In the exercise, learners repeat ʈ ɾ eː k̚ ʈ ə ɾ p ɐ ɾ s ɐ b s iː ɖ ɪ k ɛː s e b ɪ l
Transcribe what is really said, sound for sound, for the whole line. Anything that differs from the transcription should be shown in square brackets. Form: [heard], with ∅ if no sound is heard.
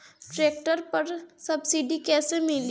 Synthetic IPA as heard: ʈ ɾ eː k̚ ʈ ə ɾ p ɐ ɾ s ɐ b s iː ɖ [i] k ɛː s e [m] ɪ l